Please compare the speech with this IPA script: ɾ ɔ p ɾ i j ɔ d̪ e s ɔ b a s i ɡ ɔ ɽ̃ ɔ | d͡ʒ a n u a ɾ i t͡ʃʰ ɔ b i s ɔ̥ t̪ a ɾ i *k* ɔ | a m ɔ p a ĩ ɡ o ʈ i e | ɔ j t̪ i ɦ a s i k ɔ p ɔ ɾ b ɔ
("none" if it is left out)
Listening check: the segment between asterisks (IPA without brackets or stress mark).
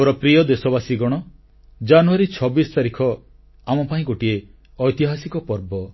kʰ